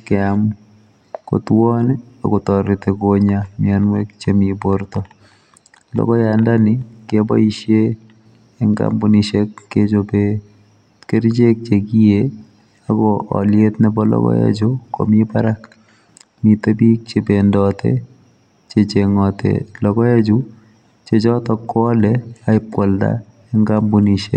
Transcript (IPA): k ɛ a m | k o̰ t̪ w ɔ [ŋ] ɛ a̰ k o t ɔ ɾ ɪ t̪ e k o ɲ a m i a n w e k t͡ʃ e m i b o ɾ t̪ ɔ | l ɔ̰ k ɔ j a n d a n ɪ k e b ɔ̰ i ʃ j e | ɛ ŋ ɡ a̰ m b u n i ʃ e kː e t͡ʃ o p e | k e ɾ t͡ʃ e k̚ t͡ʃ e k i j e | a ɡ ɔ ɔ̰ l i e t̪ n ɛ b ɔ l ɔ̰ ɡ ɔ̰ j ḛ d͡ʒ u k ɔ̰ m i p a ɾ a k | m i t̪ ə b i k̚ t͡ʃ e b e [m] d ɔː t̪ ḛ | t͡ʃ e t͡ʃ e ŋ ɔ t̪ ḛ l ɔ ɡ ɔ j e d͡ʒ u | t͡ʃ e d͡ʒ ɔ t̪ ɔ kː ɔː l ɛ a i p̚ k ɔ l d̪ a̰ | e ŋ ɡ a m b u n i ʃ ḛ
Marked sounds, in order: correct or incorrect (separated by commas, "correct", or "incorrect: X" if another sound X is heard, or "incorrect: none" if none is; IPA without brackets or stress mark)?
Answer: incorrect: n, incorrect: n